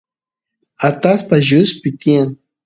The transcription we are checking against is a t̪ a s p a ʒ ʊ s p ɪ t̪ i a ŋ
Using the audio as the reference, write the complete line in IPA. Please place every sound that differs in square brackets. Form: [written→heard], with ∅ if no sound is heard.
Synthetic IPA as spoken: a t̪ a s p a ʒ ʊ s p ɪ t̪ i a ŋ